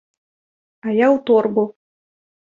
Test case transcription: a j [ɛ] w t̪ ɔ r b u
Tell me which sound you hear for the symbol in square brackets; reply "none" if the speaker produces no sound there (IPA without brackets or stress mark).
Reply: a